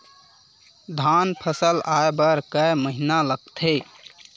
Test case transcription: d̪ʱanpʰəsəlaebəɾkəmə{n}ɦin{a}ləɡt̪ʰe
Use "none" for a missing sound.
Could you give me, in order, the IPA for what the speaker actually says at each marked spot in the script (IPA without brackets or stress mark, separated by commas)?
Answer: none, a